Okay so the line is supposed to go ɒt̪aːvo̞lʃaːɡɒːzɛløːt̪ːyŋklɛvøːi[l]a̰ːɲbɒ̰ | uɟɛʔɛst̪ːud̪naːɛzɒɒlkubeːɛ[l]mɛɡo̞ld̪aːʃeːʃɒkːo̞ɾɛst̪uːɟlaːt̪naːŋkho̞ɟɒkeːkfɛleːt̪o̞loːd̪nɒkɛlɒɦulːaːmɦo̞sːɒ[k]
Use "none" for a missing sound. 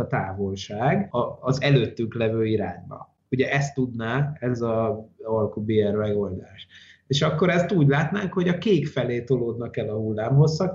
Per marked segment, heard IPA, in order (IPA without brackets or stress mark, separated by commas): ɾ, r, k